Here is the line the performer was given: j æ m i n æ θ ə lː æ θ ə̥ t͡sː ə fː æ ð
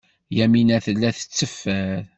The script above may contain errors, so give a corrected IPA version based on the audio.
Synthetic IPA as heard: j æ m i n æ θ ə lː æ θ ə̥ t͡sː ə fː æ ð

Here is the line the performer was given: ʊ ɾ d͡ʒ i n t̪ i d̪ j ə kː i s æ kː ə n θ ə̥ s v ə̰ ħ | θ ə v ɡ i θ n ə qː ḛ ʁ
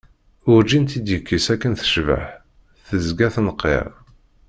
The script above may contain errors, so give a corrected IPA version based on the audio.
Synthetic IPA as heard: ʊ ɾ d͡ʒ i n t̪ i d̪ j ə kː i s æ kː ə n θ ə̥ ʃ v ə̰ ħ | θ ə z ɡ æ θ n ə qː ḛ ʁ

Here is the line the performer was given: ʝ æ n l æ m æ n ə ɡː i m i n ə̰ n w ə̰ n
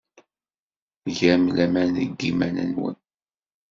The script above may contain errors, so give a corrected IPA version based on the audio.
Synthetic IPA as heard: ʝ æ m l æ m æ n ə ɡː i m æ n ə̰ n w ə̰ n

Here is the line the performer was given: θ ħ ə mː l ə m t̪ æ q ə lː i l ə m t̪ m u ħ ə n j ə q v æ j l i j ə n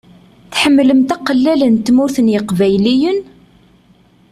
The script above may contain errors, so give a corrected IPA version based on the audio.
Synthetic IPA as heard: θ ħ ə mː l ə m t̪ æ q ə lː æ l ə n t̪ m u θ ə n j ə q v æ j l i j ə n

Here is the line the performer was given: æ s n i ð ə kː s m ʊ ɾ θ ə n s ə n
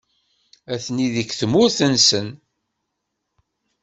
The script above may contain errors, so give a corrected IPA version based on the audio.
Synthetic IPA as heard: æ θ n i ð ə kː θ m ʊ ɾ θ ə n s ə n

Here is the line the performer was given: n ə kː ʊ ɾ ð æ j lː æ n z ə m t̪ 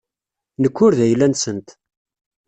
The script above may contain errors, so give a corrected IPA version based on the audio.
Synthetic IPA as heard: n ə kː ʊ ɾ ð æ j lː æ n s ə n t̪

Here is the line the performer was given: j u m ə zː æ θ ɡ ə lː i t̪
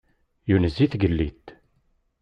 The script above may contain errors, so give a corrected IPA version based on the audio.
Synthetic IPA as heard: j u n ə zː i θ ɡ ə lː i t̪

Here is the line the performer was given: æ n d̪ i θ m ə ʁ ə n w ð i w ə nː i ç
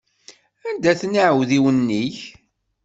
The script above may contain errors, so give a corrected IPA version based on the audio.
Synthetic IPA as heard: æ n d̪ æ θ n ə ʕ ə w ð i w ə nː i ç

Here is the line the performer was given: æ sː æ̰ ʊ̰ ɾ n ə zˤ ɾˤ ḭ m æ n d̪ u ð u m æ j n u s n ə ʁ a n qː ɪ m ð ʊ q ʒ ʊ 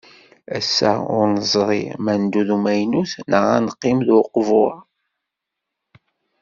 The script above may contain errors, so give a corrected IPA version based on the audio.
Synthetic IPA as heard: æ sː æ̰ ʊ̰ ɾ n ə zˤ ɾˤ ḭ m æ n d̪ u ð u m æ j n u θ n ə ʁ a n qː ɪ m ð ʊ q v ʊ

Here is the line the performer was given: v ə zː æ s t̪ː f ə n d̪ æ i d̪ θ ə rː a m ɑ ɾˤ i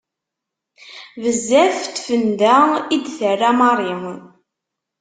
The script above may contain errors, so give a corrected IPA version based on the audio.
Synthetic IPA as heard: v ə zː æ f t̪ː f ə n d̪ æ i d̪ θ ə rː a m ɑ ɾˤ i

